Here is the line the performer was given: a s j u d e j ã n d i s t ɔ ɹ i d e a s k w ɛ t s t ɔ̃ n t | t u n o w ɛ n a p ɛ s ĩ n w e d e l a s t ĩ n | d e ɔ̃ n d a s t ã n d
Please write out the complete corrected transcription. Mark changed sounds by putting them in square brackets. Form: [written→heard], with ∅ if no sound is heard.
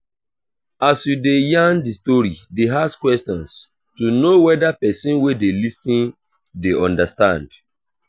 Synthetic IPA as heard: a s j u d e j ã n d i s t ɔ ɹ i d e a s k w ɛ [t→∅] s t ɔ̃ n [t→s] | t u n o w ɛ [n→d] a p ɛ s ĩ n w e d e l [a→i] s t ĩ n | d e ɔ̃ n d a s t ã n d

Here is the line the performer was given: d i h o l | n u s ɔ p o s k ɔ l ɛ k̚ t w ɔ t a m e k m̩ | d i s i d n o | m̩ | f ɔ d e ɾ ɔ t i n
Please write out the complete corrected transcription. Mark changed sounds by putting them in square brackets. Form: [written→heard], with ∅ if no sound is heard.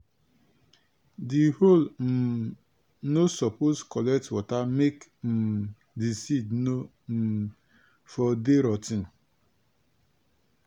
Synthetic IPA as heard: d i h o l | n [u→o] s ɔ p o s k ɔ l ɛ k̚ t w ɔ t a m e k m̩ | d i s i d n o | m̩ | f ɔ d e ɾ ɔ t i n

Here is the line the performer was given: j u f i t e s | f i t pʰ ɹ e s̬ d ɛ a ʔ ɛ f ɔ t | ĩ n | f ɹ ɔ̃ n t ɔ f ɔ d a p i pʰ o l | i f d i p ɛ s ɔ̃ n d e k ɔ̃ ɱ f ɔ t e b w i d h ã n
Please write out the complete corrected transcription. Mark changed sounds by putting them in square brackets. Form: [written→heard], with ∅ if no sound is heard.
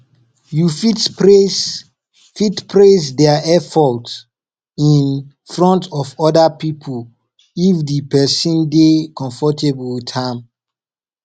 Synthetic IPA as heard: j u f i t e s | f i t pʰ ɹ e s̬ d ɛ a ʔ ɛ f ɔ t | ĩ n | f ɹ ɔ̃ n t ɔ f ɔ d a p i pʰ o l | i f d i p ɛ s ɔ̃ n d e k ɔ̃ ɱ f ɔ t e b w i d h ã [n→m]

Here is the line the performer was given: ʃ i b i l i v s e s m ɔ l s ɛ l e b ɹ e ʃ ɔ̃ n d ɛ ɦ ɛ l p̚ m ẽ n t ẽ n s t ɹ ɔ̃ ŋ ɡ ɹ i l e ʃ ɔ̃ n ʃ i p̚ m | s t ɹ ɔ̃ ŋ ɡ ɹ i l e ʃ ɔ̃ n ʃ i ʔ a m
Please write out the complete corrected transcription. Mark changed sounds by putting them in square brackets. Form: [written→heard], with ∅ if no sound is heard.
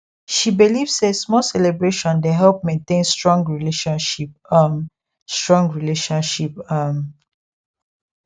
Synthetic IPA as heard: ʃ i b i l i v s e s m ɔ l s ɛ l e b ɹ e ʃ ɔ̃ n d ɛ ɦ ɛ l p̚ m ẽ n t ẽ n s t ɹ ɔ̃ ŋ ɡ ɹ i l e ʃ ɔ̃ n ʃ i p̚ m | s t ɹ ɔ̃ ŋ ɡ ɹ i l e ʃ ɔ̃ n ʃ i [ʔ→p] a m

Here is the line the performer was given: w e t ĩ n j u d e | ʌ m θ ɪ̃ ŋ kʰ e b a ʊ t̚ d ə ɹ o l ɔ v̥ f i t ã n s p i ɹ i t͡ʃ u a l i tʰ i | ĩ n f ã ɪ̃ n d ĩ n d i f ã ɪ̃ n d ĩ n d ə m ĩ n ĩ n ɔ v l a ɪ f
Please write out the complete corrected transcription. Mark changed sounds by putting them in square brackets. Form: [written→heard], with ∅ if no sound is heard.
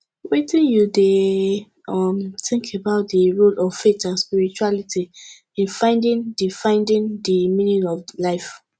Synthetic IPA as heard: w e t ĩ n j u d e | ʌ m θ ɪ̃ ŋ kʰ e b a ʊ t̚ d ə ɹ o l ɔ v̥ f [i→e] t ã n s p i ɹ i t͡ʃ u a l i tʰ i | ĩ n f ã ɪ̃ n d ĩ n d i f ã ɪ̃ n d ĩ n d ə m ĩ n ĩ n ɔ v l a ɪ f

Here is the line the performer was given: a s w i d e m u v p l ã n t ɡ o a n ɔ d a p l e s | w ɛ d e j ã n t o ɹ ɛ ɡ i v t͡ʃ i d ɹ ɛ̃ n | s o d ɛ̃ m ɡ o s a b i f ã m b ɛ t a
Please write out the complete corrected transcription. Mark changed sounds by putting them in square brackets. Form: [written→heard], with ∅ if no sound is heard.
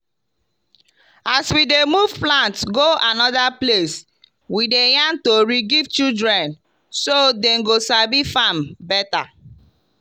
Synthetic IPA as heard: a s w i d e m u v p l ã n t ɡ o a n ɔ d a p l e s | w [ɛ→i] d e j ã n t o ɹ [ɛ→i] ɡ i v t͡ʃ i d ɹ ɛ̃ n | s o d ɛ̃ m ɡ o s a b i f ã m b ɛ t a

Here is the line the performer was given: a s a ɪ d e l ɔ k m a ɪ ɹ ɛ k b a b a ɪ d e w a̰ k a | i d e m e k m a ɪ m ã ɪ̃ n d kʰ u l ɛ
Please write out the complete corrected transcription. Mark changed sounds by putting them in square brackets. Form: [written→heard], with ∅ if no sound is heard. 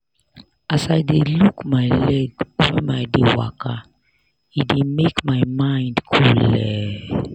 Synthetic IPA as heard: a s a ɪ d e l [ɔ→u] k m a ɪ [ɹ→l] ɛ [k→ɡ] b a [b→m] a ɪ d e w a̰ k a | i d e m e k m a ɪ m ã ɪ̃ n d kʰ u l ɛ

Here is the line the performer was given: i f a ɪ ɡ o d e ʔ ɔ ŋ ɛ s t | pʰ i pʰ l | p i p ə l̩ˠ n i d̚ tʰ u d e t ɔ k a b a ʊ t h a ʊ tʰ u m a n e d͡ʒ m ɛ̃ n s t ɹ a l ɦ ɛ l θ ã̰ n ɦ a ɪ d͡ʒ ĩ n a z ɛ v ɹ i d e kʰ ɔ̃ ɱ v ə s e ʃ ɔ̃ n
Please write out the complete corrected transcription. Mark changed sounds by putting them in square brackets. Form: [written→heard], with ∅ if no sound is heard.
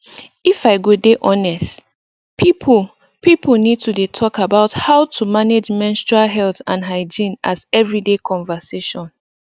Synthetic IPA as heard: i f a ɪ ɡ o d e ʔ ɔ [ŋ→n] ɛ s t | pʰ i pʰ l | p i p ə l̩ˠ n i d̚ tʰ u d e [t→tʰ] ɔ k a b a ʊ t h a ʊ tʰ u m a n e d͡ʒ m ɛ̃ n s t ɹ a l ɦ ɛ l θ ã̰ n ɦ a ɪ d͡ʒ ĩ n a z ɛ v ɹ i d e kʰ ɔ̃ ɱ v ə s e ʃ ɔ̃ n

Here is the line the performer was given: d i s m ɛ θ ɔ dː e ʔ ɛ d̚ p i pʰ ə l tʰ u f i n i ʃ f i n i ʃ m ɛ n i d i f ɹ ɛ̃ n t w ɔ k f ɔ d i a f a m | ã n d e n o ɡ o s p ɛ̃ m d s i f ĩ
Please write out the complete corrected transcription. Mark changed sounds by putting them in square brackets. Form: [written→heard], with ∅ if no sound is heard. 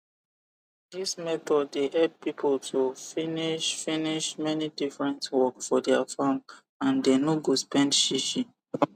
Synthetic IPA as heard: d i s m ɛ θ ɔ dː e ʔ ɛ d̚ p i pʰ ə l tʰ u f i n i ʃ f i n i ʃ m ɛ n i d i f ɹ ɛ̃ n t w ɔ k f ɔ d [i→ɛ] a f a m | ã n d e n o ɡ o s p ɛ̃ [m→n] d [s→ʃ] i [f→ʃ] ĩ

